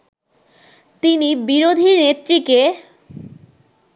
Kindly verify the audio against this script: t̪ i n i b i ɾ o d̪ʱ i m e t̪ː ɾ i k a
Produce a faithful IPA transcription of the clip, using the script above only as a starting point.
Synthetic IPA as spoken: t̪ i n i b i ɾ o d̪ʱ i n e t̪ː ɾ i k e